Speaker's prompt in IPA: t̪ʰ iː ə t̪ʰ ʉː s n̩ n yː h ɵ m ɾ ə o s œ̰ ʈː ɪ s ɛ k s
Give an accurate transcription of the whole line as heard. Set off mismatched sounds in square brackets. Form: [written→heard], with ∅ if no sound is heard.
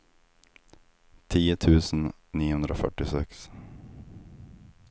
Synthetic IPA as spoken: t̪ʰ iː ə t̪ʰ ʉː s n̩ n [yː→iː] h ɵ [m→n] ɾ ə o [s→f] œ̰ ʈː ɪ s ɛ k s